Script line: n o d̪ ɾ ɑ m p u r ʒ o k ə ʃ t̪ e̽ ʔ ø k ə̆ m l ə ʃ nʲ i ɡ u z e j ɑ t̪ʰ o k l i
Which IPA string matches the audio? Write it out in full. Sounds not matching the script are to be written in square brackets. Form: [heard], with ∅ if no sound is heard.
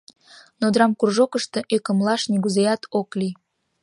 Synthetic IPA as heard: n o d̪ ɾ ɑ m [k] u r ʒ o k ə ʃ t̪ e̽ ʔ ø k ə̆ m l [ɑ] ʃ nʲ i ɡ u z e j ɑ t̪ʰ o k l i